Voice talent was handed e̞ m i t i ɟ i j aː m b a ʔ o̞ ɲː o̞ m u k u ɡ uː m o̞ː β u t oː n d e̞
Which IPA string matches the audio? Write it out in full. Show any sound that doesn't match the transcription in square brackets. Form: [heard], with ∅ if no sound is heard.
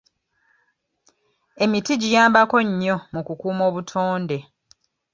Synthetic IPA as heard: e̞ m i t i ɟ i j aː m b a [k] o̞ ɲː o̞ m u k u [k] uː m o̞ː β u [tʰ] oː n d e̞